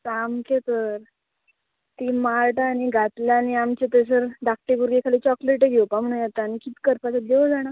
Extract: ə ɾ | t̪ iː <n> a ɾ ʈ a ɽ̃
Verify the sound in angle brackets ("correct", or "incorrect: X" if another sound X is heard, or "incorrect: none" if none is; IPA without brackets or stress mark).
incorrect: m